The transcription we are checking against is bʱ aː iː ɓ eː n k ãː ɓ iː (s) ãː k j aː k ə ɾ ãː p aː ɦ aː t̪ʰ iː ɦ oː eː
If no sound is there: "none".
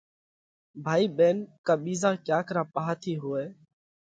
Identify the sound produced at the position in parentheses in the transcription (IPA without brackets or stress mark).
z